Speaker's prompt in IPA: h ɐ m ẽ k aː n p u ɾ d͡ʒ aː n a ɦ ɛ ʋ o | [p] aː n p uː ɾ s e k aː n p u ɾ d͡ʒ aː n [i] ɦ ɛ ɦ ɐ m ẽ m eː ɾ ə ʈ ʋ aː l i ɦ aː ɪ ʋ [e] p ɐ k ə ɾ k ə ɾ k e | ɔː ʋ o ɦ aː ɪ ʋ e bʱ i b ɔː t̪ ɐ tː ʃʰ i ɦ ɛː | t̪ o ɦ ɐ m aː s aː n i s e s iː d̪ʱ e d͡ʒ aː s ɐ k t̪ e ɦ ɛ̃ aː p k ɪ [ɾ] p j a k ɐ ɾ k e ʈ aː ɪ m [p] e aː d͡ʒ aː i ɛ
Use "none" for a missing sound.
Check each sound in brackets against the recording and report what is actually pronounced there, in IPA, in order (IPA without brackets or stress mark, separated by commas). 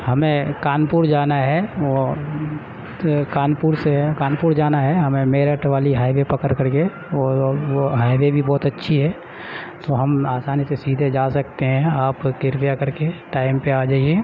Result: k, a, e, ɾ, p